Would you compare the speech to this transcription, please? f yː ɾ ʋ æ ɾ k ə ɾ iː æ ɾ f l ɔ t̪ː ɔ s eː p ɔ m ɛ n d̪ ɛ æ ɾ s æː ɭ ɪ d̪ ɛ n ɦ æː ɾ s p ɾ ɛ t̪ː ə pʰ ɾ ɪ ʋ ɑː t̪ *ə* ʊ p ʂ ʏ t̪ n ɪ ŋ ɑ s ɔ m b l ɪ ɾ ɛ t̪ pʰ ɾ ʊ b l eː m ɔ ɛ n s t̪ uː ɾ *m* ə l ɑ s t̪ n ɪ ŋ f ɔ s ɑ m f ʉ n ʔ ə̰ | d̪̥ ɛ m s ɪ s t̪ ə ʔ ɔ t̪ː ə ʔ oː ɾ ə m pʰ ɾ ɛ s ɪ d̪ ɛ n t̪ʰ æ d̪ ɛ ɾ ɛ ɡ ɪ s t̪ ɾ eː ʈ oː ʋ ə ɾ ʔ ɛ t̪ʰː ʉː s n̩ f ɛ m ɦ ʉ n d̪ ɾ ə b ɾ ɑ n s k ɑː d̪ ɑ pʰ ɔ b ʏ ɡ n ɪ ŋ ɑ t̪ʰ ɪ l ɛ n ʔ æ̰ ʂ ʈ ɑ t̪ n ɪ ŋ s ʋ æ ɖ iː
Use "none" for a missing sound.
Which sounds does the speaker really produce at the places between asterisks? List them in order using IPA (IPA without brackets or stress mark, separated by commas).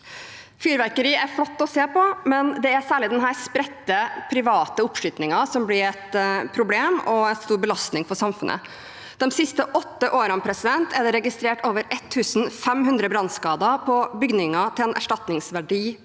ə, b